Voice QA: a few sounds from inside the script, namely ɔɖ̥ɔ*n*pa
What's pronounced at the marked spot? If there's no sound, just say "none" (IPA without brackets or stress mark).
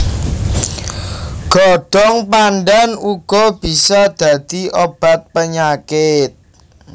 ŋ